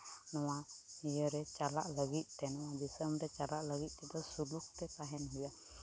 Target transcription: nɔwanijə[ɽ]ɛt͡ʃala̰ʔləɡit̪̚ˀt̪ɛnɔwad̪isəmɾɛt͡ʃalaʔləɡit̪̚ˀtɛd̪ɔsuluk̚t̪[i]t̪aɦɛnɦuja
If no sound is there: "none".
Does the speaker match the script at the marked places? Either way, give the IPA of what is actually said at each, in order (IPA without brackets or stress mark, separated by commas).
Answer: ɾ, ɛ